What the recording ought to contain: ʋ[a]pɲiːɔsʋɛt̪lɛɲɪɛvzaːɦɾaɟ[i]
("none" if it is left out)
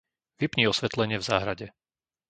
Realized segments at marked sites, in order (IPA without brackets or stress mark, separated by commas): i, ɛ